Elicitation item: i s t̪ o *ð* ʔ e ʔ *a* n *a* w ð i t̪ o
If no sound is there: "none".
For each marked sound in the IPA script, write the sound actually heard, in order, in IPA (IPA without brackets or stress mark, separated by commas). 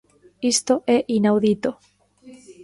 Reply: none, i, a